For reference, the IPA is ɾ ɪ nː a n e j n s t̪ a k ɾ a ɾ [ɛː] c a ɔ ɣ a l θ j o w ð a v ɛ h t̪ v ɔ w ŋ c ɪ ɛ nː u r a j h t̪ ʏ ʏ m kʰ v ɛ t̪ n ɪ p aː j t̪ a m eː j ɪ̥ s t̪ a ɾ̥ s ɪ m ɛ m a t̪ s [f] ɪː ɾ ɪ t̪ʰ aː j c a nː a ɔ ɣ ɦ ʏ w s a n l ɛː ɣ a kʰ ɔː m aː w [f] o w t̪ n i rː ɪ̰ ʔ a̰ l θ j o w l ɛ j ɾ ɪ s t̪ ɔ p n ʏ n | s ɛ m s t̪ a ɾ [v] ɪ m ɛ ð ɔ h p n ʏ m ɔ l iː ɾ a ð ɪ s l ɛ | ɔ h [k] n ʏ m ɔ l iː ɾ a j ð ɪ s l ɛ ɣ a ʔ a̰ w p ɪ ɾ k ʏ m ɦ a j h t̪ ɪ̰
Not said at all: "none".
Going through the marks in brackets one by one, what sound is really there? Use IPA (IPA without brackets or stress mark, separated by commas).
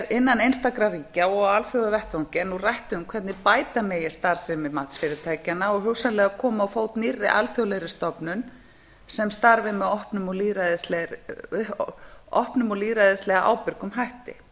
iː, f, f, v, p